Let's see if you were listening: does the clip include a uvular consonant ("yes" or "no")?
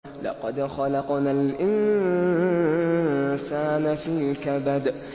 yes